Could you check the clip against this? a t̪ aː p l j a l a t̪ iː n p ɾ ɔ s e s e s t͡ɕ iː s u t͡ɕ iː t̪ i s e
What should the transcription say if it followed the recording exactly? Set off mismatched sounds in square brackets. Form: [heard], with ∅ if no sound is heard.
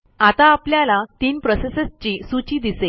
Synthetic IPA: a t̪ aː p l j a l a t̪ iː n p ɾ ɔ s e s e s t͡ɕ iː s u t͡ɕ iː [d̪] i s e